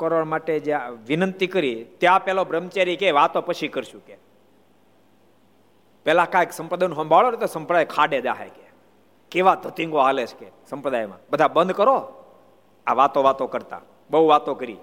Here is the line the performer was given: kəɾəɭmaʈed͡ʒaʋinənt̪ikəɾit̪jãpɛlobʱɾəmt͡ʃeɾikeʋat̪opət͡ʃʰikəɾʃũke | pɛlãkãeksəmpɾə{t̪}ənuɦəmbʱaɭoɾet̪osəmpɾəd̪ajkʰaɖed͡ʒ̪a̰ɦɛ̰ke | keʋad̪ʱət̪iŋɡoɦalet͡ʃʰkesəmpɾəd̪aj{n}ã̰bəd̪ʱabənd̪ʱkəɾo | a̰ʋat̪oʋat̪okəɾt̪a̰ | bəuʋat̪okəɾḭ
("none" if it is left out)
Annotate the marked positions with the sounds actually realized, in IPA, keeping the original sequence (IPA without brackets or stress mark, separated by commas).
d̪, m